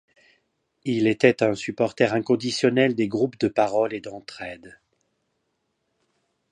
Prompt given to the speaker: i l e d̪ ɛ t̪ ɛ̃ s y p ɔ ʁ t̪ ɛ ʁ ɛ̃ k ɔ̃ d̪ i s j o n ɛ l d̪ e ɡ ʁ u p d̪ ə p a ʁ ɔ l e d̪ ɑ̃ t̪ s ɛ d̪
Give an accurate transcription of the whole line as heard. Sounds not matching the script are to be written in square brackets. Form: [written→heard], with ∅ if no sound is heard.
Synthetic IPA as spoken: i l e [d̪→t̪] ɛ t̪ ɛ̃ s y p ɔ ʁ t̪ ɛ ʁ ɛ̃ k ɔ̃ d̪ i s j [o→ɔ] n ɛ l d̪ e ɡ ʁ u p d̪ ə p a ʁ ɔ l e d̪ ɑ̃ t̪ [s→χ] ɛ d̪